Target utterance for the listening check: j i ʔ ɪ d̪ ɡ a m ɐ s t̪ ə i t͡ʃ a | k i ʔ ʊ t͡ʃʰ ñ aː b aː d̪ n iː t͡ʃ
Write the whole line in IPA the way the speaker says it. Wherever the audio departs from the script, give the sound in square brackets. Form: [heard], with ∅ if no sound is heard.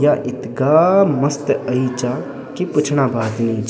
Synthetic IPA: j [a] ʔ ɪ [t̪] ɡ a m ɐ s t̪ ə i t͡ʃ a | k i [p] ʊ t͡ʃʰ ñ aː b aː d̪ n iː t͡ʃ